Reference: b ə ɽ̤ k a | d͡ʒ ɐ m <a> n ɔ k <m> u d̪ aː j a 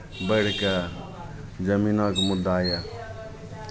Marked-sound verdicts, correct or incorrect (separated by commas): incorrect, correct